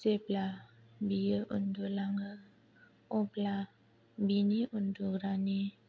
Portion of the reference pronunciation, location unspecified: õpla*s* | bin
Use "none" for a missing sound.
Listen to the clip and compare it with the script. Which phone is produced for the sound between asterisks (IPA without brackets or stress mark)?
none